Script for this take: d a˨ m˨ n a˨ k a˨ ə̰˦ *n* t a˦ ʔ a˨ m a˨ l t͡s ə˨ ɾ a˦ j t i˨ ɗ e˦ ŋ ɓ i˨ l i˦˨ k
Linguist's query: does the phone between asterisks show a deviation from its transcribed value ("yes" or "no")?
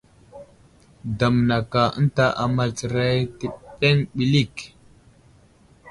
no